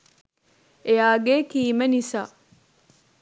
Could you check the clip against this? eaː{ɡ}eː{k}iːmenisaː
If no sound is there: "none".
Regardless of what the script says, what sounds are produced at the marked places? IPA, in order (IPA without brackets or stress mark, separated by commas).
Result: ɡ, k